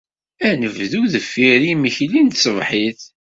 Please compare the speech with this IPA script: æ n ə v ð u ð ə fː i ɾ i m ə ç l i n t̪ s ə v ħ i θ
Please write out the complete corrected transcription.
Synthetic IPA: æ n ə v ð u ð ə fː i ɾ i m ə ç l i n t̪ s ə v ħ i θ